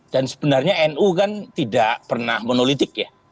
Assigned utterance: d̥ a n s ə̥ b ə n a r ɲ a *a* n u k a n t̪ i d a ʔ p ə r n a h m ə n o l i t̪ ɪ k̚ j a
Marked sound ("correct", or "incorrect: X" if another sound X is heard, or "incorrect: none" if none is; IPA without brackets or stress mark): incorrect: ɛ